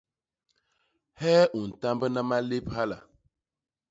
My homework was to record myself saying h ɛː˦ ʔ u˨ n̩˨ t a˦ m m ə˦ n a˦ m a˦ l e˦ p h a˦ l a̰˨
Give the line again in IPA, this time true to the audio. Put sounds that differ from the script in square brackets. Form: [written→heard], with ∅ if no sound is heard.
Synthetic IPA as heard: h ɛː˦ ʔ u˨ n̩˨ t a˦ m [m→b] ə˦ n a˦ m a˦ l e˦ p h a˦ l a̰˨